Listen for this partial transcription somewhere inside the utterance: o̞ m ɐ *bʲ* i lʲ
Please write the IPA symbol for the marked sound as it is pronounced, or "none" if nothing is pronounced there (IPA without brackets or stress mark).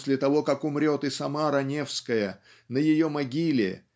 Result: ɡʲ